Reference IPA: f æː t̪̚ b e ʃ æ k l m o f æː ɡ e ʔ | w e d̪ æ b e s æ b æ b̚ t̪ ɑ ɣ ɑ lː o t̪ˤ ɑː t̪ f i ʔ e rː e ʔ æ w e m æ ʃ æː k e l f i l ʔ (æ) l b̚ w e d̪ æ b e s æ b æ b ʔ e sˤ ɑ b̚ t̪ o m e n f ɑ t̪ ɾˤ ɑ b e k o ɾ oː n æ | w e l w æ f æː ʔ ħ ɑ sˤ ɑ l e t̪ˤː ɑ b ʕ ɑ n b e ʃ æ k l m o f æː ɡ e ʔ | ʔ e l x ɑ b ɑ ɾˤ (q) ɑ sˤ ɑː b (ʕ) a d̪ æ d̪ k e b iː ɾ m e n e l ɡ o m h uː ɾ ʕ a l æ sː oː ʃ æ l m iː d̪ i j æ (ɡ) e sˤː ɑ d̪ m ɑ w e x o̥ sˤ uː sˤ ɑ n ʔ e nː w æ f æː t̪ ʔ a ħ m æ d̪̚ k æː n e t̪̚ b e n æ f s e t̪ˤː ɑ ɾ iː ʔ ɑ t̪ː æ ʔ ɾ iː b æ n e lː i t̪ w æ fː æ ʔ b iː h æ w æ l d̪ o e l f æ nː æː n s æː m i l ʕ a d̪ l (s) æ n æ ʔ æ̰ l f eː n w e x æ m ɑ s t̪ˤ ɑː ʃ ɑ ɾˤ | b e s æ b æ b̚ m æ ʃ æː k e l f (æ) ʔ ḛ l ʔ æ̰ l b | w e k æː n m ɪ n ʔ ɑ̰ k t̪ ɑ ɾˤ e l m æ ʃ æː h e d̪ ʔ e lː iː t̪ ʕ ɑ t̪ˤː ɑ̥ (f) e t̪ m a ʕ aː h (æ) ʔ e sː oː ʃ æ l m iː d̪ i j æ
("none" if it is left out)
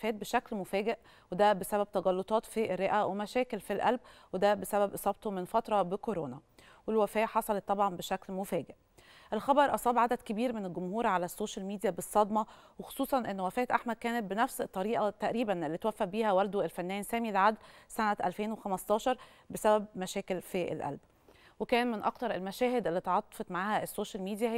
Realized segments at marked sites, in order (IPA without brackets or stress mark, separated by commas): æ, ʔ, ʕ, b, s, i, f, æ